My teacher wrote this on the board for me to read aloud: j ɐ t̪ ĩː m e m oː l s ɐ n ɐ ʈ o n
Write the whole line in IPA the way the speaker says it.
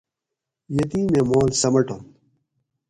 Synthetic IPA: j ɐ t̪ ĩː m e m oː l s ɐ m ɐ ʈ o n

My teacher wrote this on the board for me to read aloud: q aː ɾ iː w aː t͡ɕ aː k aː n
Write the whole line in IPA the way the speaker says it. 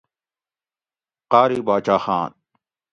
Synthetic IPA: q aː ɾ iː b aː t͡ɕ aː x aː n

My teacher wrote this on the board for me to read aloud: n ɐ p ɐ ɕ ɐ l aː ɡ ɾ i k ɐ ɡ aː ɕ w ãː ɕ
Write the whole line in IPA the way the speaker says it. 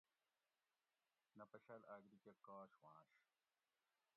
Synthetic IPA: n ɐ p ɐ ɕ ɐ l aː ɡ ɾ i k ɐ k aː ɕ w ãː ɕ

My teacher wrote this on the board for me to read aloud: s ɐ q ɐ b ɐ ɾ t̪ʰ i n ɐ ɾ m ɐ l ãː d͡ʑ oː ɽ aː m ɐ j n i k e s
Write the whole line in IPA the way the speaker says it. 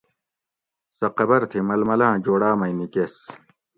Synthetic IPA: s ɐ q ɐ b ɐ ɾ t̪ʰ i m ɐ l m ɐ l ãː d͡ʑ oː ɽ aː m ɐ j n i k e s

